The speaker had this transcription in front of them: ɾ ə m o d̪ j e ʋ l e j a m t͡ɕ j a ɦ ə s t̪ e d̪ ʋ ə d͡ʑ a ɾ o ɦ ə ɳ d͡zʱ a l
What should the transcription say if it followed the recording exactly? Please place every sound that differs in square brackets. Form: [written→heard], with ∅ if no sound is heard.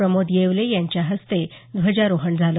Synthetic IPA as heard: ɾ ə m o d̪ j e ʋ l e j a [m→ɲ] t͡ɕ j a ɦ ə s t̪ e d̪ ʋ ə d͡ʑ a ɾ o ɦ ə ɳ d͡zʱ a l